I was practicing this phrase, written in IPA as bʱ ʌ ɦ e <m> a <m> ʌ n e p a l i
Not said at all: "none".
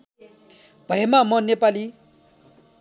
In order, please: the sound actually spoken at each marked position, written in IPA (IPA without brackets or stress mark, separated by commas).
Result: m, m